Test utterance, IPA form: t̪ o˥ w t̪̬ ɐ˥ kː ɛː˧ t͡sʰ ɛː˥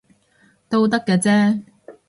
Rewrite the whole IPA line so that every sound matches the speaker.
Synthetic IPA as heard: t̪ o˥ w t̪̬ ɐ˥ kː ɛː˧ t͡s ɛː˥